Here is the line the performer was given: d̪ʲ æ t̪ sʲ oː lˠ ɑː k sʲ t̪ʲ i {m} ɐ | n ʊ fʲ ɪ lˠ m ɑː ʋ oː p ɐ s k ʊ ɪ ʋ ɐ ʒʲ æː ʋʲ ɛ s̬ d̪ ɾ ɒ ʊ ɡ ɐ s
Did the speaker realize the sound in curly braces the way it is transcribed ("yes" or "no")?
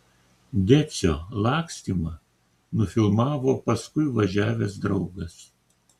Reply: yes